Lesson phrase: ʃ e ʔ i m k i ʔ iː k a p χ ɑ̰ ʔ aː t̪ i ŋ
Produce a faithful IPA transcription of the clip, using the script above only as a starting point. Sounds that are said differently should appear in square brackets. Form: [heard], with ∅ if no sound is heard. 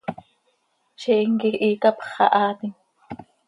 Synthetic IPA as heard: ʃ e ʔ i [ŋ] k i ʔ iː k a p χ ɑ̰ ʔ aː t̪ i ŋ